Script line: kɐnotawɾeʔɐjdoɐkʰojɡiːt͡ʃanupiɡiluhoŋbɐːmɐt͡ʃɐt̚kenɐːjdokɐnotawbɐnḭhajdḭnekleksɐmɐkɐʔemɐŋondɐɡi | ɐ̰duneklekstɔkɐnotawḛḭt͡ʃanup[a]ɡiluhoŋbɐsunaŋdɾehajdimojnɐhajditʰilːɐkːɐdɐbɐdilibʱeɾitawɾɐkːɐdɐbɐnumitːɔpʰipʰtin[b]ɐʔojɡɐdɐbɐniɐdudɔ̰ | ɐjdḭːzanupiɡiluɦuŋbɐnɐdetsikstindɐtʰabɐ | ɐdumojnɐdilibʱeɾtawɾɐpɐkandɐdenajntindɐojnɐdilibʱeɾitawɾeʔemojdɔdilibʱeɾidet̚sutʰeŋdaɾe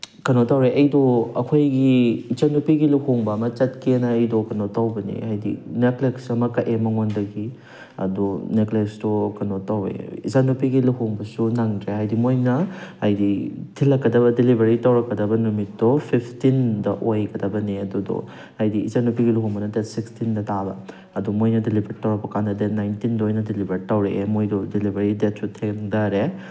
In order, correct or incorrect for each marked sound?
incorrect: i, incorrect: d

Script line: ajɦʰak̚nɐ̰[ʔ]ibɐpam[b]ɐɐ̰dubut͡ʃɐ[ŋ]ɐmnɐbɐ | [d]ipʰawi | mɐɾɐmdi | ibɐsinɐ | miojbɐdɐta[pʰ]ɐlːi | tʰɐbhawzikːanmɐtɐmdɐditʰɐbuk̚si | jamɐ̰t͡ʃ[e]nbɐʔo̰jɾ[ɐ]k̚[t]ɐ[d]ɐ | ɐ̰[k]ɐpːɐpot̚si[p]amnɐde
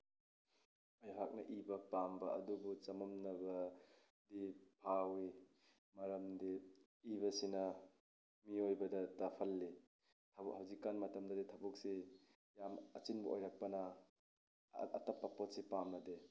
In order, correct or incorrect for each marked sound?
correct, correct, incorrect: m, correct, correct, incorrect: i, incorrect: a, incorrect: p, incorrect: n, incorrect: t, correct

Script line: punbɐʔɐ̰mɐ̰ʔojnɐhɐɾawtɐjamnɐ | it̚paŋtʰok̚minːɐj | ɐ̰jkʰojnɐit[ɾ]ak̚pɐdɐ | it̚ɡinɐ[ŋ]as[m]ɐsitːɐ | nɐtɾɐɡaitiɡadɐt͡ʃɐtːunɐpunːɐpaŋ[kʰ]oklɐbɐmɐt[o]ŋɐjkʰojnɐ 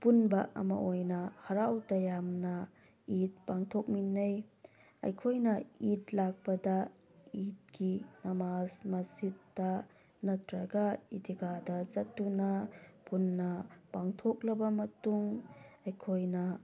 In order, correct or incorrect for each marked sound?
incorrect: l, incorrect: m, correct, incorrect: tʰ, incorrect: u

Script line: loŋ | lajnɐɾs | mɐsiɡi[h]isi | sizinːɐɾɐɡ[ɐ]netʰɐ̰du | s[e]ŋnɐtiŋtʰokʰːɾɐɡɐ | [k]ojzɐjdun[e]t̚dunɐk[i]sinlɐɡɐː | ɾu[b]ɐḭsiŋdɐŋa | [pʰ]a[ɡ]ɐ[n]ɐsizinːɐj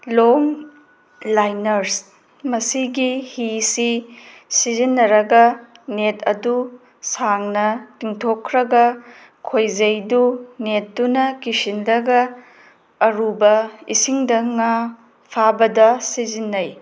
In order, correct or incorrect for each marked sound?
correct, correct, incorrect: a, incorrect: kʰ, correct, correct, correct, correct, incorrect: b, incorrect: d

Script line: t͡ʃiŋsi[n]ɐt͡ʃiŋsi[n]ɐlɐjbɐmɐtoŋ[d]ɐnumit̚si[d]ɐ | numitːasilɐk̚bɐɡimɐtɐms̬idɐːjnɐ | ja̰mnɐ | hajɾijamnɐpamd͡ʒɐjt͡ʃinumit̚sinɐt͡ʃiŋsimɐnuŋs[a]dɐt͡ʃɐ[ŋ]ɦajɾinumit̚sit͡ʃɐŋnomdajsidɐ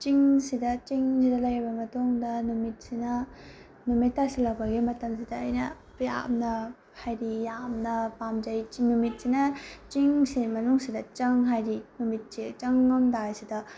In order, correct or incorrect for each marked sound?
incorrect: d, incorrect: d, correct, incorrect: n, incorrect: i, correct

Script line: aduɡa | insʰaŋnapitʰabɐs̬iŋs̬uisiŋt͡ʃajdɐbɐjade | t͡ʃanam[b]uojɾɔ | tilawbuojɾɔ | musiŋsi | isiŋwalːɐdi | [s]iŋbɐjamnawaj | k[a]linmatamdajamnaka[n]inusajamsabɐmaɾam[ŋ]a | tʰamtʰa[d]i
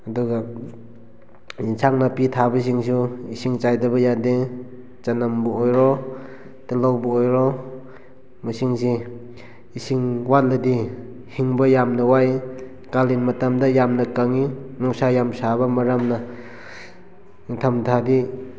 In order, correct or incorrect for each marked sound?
correct, incorrect: h, correct, incorrect: ŋ, incorrect: n, correct

